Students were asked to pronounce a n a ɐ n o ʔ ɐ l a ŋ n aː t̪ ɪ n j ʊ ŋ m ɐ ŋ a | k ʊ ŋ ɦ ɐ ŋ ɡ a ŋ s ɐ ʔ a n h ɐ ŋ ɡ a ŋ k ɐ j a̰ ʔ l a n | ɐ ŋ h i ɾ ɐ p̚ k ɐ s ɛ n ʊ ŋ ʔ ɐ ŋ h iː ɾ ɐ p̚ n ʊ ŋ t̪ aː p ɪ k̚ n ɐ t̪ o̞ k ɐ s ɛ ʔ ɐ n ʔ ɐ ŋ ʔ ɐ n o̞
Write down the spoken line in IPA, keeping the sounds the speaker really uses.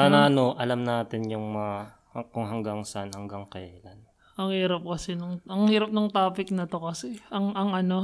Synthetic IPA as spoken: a n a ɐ n o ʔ ɐ l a m n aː t̪ ɪ n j ʊ ŋ m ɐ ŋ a | k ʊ ŋ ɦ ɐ ŋ ɡ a ŋ s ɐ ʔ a n h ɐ ŋ ɡ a ŋ k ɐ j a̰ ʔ l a n | ɐ ŋ h iː ɾ ɐ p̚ k ɐ s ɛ n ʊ ŋ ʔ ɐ ŋ h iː ɾ ɐ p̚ n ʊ ŋ t̪ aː p ɪ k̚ n ɐ t̪ o̞ k ɐ s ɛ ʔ ɐ ŋ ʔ ɐ ŋ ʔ ɐ n o̞